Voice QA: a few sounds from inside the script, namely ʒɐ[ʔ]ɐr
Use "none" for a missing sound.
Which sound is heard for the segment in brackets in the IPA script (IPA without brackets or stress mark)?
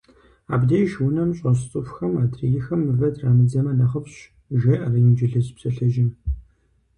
ʔ